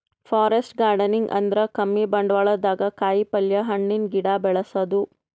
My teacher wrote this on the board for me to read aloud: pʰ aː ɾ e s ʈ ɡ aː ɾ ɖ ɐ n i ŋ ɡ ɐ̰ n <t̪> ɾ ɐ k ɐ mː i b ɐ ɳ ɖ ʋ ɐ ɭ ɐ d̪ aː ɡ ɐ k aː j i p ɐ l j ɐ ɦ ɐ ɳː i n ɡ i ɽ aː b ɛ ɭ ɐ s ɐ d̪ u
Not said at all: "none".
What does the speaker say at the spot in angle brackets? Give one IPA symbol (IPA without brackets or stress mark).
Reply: d̪